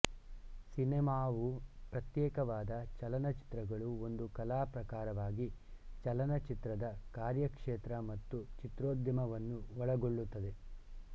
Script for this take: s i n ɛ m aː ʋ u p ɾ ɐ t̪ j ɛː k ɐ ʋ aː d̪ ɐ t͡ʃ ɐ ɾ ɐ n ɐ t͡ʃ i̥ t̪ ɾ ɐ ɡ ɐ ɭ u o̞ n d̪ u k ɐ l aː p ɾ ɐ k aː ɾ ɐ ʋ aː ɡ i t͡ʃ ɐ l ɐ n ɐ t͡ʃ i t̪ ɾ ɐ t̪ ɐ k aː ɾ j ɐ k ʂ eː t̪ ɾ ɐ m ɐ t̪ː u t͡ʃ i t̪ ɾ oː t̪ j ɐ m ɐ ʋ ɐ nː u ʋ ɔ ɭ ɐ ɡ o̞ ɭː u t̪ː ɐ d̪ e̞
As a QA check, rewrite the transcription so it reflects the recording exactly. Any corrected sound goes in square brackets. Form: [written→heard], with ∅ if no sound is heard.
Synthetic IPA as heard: s i n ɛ m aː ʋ u p ɾ ɐ t̪ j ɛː k ɐ ʋ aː d̪ ɐ t͡ʃ ɐ [ɾ→l] ɐ n ɐ t͡ʃ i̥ t̪ ɾ ɐ ɡ ɐ ɭ u o̞ n d̪ u k ɐ l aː p ɾ ɐ k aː ɾ ɐ ʋ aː ɡ i t͡ʃ ɐ l ɐ n ɐ t͡ʃ i t̪ ɾ ɐ [t̪→d̪] ɐ k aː ɾ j ɐ k ʂ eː t̪ ɾ ɐ m ɐ t̪ː u t͡ʃ i t̪ ɾ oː [t̪→d̪] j ɐ m ɐ ʋ ɐ nː u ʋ ɔ ɭ ɐ ɡ o̞ ɭː u t̪ː ɐ d̪ e̞

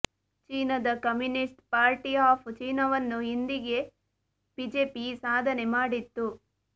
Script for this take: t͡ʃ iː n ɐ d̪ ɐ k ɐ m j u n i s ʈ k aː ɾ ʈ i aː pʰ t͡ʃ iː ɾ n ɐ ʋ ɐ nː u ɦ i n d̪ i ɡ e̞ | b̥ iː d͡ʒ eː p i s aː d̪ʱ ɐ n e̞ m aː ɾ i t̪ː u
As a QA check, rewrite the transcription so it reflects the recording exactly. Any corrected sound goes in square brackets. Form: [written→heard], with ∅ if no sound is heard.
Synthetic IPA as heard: t͡ʃ iː n ɐ d̪ ɐ k ɐ m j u n i s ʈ [k→p] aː ɾ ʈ i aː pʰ t͡ʃ iː [ɾ→∅] n ɐ ʋ ɐ nː u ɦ i n d̪ i ɡ e̞ | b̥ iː d͡ʒ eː p i s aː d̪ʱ ɐ n e̞ m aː [ɾ→ɽ] i t̪ː u

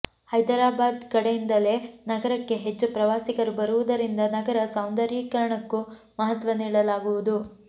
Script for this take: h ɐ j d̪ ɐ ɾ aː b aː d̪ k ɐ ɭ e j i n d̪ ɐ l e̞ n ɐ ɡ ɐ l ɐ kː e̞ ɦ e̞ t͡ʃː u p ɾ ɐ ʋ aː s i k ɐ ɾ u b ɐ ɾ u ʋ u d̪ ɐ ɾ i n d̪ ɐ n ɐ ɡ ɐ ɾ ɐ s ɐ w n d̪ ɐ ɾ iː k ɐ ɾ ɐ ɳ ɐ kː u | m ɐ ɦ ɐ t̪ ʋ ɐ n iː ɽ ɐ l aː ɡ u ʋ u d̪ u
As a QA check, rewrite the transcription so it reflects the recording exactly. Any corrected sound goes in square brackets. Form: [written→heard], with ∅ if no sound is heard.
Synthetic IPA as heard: h ɐ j d̪ ɐ ɾ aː b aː d̪ k ɐ [ɭ→ɽ] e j i n d̪ ɐ l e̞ n ɐ ɡ ɐ [l→ɾ] ɐ kː e̞ ɦ e̞ t͡ʃː u p ɾ ɐ ʋ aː s i k ɐ ɾ u b ɐ ɾ u ʋ u d̪ ɐ ɾ i n d̪ ɐ n ɐ ɡ ɐ ɾ ɐ s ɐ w n d̪ ɐ ɾ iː k ɐ ɾ ɐ ɳ ɐ kː u | m ɐ ɦ ɐ t̪ ʋ ɐ n iː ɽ ɐ l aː ɡ u ʋ u d̪ u

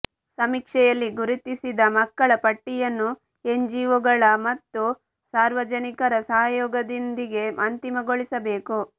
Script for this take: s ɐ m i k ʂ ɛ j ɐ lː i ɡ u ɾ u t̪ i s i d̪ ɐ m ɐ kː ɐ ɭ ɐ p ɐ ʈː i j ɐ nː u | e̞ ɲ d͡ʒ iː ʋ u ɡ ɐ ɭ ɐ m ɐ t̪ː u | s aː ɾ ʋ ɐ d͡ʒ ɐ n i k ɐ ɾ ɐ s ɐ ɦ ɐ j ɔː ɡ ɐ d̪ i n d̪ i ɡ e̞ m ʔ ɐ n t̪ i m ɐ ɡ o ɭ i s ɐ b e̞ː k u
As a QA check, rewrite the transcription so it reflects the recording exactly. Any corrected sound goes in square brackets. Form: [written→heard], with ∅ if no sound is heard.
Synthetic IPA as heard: s ɐ m i k ʂ ɛ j ɐ lː i ɡ u ɾ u t̪ i s i d̪ ɐ m ɐ kː ɐ ɭ ɐ p ɐ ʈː i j ɐ nː u | e̞ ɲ d͡ʒ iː ʋ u ɡ ɐ ɭ ɐ m ɐ t̪ː u | s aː ɾ ʋ ɐ d͡ʒ ɐ n i k ɐ ɾ ɐ s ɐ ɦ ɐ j ɔː ɡ ɐ d̪ i n d̪ i ɡ e̞ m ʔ ɐ n t̪ i m ɐ ɡ o ɭ i s ɐ b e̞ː k u

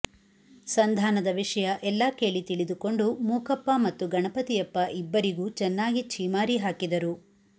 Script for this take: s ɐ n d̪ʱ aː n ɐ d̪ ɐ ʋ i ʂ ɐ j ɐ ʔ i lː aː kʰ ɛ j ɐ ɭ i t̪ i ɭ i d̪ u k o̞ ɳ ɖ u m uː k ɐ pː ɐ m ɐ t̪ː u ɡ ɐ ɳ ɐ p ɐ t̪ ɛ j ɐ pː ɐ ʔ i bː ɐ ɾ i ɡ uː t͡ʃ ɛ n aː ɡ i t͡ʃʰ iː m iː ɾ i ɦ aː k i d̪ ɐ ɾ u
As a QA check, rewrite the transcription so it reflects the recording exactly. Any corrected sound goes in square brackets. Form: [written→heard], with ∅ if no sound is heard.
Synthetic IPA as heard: s ɐ n d̪ʱ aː n ɐ d̪ ɐ ʋ i ʂ ɐ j ɐ ʔ [i→ɛ] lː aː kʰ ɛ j ɐ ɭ i t̪ i ɭ i d̪ u k o̞ ɳ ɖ u m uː k ɐ pː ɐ m ɐ t̪ː u ɡ ɐ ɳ ɐ p ɐ t̪ [ɛ→i] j ɐ pː ɐ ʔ i bː ɐ ɾ i ɡ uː t͡ʃ ɛ [n→nː] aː ɡ i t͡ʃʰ iː m [iː→aː] ɾ i ɦ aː k i d̪ ɐ ɾ u

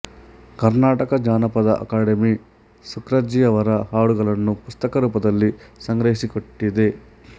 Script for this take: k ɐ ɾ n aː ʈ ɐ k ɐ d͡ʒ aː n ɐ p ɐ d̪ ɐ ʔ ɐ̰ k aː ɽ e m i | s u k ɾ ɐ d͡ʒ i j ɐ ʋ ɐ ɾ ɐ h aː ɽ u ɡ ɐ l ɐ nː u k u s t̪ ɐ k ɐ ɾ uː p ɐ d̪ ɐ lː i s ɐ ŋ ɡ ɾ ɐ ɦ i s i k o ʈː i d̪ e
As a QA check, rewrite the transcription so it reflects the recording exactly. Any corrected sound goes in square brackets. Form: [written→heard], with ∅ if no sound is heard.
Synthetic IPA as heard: k ɐ ɾ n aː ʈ ɐ k ɐ d͡ʒ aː n ɐ p ɐ d̪ ɐ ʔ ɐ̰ k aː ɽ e m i | s u k ɾ ɐ d͡ʒ i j ɐ ʋ ɐ ɾ ɐ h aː ɽ u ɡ ɐ l ɐ nː u [k→p] u s t̪ ɐ k ɐ ɾ uː p ɐ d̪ ɐ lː i s ɐ ŋ ɡ ɾ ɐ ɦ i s i k o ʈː i d̪ e

